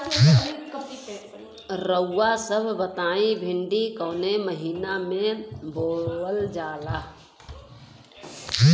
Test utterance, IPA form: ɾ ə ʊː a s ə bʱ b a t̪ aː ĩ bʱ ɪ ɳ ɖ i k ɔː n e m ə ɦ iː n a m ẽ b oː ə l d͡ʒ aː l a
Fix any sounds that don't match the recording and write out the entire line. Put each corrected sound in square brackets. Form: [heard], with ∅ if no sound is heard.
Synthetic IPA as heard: ɾ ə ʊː a s ə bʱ b [ə] t̪ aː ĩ bʱ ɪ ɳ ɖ i k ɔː n e m ə ɦ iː n a m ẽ b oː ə l d͡ʒ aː l a